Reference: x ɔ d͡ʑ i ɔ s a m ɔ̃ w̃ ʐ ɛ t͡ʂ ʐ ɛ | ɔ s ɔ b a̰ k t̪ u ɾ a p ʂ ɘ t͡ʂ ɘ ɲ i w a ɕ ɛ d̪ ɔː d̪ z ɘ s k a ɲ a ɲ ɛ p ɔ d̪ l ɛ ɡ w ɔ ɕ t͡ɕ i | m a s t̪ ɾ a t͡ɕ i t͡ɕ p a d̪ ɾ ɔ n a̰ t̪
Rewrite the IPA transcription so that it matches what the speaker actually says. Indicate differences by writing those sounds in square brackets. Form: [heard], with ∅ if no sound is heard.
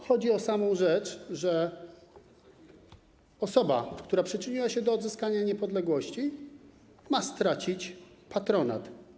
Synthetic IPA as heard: x ɔ d͡ʑ i ɔ s a m ɔ̃ w̃ ʐ ɛ t͡ʂ ʐ ɛ | ɔ s ɔ b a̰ k t̪ u ɾ a p ʂ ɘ t͡ʂ ɘ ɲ i w a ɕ ɛ d̪ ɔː d̪ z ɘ s k a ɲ a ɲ ɛ p ɔ d̪ l ɛ ɡ w ɔ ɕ t͡ɕ i | m a s t̪ ɾ a t͡ɕ i t͡ɕ p a [t̪] ɾ ɔ n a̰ t̪